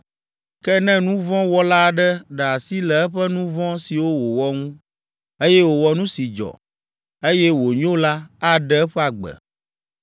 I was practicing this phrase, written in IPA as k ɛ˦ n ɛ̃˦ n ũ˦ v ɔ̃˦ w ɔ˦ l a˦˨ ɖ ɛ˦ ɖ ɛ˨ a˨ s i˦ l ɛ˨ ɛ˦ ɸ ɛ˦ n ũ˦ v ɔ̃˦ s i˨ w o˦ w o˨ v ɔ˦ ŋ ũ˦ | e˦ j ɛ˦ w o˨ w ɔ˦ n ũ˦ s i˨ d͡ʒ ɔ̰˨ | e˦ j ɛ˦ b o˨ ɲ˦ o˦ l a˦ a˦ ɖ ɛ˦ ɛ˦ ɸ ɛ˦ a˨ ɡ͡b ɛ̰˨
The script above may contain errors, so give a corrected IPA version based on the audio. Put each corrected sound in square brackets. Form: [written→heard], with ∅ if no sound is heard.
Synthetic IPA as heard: k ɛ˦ n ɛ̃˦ n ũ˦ v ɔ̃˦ w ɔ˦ l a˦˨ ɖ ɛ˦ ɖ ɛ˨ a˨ s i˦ l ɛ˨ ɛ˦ ɸ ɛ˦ n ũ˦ v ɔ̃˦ s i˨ w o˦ w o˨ [v→w] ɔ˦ ŋ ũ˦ | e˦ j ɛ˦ w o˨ w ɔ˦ n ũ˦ s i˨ d͡ʒ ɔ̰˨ | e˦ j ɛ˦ [b→w] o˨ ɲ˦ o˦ l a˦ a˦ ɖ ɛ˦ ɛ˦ ɸ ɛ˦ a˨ ɡ͡b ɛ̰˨

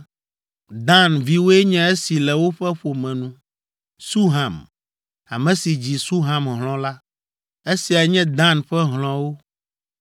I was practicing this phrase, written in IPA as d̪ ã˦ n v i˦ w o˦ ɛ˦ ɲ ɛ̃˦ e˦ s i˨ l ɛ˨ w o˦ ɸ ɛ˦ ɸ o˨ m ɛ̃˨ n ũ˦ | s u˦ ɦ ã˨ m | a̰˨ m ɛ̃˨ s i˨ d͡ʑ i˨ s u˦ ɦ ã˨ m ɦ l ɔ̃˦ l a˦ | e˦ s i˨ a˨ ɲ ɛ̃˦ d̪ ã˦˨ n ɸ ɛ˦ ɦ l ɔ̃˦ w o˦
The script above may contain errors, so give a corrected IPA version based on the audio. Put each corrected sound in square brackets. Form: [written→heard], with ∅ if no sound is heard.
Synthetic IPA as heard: d̪ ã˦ n v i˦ w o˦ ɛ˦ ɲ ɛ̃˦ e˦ s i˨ l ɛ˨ w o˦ ɸ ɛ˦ ɸ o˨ m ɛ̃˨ n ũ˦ | s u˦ ɦ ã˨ m | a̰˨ m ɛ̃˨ s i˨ d͡ʑ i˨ s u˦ ɦ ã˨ m ɦ l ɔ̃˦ l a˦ | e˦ s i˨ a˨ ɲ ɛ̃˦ d̪ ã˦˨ n ɸ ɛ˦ ɦ l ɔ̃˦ w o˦

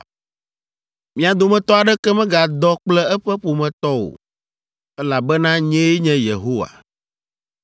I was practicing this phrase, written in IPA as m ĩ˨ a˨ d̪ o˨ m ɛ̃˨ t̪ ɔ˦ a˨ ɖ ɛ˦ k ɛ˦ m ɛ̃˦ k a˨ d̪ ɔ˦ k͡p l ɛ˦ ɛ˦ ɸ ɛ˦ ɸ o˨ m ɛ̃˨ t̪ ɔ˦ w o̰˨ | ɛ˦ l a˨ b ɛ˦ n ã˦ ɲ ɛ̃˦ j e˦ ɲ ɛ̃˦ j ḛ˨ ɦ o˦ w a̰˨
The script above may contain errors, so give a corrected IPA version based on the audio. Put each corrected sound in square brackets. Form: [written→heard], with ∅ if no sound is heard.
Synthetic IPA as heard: m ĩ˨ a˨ d̪ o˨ m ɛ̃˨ t̪ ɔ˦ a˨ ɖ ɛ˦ k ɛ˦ m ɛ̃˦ [k→ɡ] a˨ d̪ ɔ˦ k͡p l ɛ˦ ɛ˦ ɸ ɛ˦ ɸ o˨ m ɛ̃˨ t̪ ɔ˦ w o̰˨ | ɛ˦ l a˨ b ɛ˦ n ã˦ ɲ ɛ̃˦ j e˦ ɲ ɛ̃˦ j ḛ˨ ɦ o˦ w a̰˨

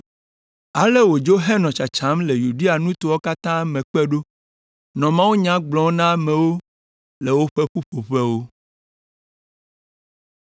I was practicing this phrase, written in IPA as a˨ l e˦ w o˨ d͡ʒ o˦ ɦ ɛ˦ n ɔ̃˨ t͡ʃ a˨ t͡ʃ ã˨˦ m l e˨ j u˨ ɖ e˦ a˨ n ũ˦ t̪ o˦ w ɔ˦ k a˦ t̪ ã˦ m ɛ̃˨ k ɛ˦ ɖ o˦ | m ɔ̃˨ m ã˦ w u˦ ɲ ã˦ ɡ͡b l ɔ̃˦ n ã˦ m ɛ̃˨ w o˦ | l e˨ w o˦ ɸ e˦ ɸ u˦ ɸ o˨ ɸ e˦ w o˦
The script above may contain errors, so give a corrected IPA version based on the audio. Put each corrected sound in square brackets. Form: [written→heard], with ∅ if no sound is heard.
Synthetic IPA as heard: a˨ l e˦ w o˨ d͡ʒ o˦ ɦ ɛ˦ n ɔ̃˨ t͡ʃ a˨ t͡ʃ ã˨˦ m l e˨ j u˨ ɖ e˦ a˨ n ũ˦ t̪ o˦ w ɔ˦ k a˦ t̪ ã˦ m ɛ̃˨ [k→k͡p] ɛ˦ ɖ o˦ | [m→n] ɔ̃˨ m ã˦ w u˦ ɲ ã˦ ɡ͡b l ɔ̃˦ n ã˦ m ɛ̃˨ w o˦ | l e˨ w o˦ ɸ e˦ ɸ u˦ ɸ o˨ ɸ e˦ w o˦

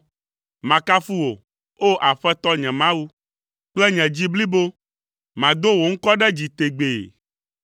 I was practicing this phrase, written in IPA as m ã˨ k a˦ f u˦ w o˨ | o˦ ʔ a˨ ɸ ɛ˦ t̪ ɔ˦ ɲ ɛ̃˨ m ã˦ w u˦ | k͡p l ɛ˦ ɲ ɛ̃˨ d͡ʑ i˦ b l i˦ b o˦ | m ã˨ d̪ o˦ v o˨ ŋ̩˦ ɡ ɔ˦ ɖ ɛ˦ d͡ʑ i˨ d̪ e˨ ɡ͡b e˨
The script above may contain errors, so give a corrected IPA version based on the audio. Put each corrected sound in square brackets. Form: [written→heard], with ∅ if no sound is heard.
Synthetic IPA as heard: m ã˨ k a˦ f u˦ w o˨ | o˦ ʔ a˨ ɸ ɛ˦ t̪ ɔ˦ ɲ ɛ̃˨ m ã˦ w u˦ | k͡p l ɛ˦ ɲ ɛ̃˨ d͡ʑ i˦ b l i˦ b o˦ | m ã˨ d̪ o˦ [v→w] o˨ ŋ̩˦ [ɡ→k] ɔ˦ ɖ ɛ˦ d͡ʑ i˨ [d̪→t̪] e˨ ɡ͡b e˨

